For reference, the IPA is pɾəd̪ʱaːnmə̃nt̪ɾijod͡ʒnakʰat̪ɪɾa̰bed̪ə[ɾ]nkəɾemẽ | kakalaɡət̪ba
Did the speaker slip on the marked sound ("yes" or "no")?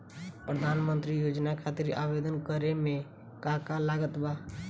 yes